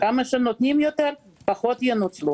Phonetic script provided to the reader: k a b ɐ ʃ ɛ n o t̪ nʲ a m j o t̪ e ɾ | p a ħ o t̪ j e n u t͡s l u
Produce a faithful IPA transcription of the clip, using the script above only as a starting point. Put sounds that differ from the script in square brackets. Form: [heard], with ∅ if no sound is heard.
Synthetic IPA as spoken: k a [m] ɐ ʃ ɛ n o t̪ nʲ [i] m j o t̪ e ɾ | p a [χ] o t̪ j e n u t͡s l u